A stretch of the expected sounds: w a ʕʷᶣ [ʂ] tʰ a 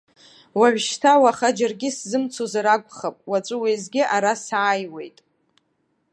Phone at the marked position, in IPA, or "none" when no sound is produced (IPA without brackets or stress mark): ʃ